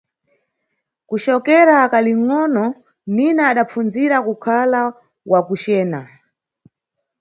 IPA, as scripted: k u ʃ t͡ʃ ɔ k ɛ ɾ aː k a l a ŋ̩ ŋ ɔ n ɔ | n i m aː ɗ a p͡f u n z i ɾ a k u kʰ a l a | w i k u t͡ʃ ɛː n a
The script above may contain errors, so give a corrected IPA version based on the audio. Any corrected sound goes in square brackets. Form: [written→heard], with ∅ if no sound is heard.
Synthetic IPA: k u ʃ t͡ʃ ɔ k ɛ ɾ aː k a l [a→i] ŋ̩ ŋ ɔ n ɔ | n i [m→n] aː ɗ a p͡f u n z i ɾ a k u kʰ a l a | w [i→a] k u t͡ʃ ɛː n a